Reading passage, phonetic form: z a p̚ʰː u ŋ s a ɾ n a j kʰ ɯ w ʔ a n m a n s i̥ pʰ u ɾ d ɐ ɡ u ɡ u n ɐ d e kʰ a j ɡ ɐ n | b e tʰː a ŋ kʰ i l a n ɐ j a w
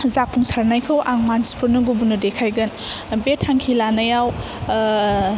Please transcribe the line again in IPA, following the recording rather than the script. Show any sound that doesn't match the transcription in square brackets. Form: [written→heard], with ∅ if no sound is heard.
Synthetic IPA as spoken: z a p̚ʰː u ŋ s a ɾ n a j kʰ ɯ w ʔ a [n→ŋ] m a n s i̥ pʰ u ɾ [d→n] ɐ ɡ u [ɡ→b] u n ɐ d e kʰ a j ɡ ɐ n | b e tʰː a ŋ kʰ i l a n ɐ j a w

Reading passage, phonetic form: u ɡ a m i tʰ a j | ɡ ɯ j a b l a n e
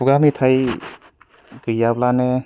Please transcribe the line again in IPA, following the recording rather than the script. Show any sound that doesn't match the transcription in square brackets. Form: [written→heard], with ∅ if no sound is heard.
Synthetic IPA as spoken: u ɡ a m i tʰ a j | ɡ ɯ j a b l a n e

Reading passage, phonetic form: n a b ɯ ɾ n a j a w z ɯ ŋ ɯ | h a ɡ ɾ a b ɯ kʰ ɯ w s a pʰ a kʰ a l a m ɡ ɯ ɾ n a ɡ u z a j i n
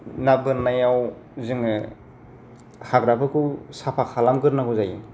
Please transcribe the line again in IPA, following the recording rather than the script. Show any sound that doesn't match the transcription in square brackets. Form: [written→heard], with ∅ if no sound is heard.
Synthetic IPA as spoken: n a b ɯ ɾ n a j a w z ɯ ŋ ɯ | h a ɡ ɾ a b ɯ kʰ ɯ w s a pʰ a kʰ a l a m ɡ ɯ ɾ n a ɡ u z a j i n

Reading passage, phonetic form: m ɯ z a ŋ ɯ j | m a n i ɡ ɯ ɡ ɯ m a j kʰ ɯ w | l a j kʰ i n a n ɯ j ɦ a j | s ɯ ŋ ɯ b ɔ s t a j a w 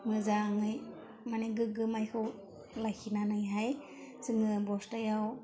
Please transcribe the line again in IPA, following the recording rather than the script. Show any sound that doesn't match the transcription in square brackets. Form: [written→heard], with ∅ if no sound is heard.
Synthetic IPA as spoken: m ɯ z a ŋ ɯ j | m a n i ɡ ɯ ɡ ɯ m a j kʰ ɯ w | l a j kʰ i n a n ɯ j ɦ a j | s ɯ ŋ ɯ b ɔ s t a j a w

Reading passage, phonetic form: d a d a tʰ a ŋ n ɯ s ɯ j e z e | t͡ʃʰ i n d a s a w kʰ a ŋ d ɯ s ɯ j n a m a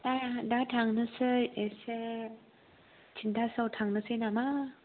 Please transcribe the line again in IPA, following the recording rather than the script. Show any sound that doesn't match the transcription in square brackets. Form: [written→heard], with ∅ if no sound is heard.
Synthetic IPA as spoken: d a d a tʰ a ŋ n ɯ s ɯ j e [z→s] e | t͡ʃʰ i n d a s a w [kʰ→tʰ] a ŋ [d→n] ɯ s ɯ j n a m a

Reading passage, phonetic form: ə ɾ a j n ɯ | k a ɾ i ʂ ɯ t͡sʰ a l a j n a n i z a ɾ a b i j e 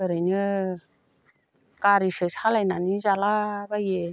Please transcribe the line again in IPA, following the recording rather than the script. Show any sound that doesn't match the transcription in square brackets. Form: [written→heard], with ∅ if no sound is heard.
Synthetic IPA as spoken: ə ɾ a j n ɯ | k a ɾ i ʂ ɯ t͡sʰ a l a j n a n i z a [ɾ→l] a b [i→a] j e

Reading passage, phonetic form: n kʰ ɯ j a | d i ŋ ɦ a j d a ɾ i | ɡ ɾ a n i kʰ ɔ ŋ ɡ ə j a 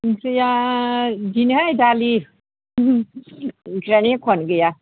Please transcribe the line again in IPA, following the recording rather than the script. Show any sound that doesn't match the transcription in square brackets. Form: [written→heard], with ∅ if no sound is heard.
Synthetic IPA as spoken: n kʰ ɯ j a | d i [ŋ→n] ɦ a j d a [ɾ→l] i | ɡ ɾ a n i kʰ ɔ [ŋ→n] ɡ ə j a

